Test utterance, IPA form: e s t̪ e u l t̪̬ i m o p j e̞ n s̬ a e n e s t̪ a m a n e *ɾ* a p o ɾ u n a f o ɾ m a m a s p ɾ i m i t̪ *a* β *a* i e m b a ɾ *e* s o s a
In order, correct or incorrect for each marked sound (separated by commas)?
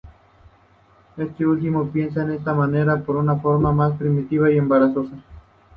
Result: correct, incorrect, correct, incorrect